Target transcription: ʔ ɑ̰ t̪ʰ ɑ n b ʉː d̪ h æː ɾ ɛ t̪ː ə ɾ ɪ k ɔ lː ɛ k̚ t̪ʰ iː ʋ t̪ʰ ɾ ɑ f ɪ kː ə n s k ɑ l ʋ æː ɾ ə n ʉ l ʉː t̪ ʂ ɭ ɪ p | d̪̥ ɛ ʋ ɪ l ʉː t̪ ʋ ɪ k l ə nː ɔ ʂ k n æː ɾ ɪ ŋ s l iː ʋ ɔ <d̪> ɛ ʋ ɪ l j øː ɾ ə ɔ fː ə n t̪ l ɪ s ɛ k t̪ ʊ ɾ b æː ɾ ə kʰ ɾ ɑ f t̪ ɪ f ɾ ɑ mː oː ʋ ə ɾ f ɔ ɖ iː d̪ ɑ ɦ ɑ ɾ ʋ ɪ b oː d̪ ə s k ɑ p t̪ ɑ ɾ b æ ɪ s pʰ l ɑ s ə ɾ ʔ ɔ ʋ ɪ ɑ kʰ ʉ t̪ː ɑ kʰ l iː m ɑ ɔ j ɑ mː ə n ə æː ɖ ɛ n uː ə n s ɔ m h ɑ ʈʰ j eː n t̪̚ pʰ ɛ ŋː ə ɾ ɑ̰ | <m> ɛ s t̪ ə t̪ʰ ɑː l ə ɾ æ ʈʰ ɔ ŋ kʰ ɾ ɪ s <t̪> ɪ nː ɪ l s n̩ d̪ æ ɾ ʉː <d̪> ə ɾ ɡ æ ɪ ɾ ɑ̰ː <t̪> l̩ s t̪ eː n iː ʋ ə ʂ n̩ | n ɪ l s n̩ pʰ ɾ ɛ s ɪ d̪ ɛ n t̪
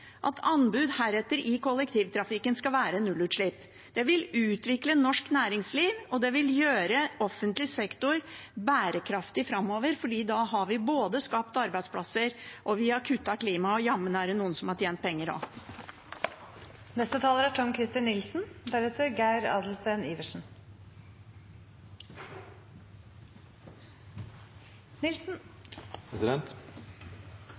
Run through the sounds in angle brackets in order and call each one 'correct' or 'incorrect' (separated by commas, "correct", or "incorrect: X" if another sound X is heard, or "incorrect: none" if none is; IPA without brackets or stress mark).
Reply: correct, incorrect: n, correct, incorrect: t̪, incorrect: d̪